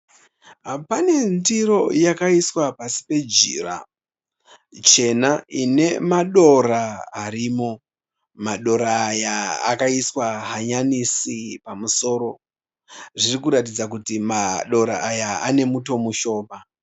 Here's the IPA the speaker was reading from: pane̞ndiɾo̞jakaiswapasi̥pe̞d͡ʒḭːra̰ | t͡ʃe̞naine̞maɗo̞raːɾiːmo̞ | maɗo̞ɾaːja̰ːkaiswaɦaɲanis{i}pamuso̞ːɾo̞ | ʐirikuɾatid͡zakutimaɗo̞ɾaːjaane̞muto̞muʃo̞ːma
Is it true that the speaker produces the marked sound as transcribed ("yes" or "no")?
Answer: yes